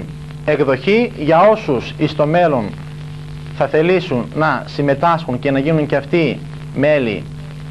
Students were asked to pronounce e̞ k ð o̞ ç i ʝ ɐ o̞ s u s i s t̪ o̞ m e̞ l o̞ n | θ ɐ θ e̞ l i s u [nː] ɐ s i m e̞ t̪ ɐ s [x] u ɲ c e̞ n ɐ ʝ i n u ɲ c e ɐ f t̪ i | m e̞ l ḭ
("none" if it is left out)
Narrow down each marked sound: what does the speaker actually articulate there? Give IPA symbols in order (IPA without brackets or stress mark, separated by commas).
nː, x